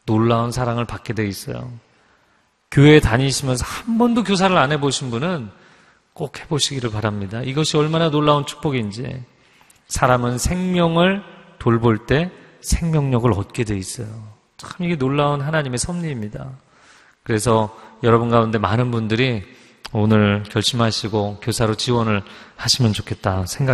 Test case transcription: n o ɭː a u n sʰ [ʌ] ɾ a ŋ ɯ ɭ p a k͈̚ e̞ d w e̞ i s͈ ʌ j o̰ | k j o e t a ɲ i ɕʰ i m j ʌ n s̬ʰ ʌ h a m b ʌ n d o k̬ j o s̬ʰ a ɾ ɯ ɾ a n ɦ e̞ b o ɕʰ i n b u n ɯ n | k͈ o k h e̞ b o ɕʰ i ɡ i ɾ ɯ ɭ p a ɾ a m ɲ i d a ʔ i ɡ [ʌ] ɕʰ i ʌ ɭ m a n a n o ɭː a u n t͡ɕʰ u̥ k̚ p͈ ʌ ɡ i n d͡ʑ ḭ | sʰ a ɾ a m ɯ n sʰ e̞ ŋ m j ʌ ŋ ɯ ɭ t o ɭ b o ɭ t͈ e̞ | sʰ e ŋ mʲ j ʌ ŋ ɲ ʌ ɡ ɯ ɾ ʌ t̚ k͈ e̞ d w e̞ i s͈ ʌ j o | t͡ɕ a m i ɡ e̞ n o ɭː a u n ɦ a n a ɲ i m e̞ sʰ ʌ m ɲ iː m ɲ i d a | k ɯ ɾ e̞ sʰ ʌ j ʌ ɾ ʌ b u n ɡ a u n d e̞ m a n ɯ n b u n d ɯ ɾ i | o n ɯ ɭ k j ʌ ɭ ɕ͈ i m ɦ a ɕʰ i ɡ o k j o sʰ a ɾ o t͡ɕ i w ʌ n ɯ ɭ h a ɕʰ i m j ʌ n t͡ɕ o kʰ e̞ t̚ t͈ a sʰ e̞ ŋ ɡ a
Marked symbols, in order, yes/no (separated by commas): no, yes